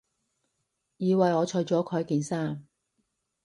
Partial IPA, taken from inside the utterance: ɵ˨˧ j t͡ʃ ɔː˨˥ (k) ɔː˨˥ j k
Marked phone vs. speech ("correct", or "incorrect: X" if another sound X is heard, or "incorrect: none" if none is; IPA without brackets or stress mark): incorrect: kʰ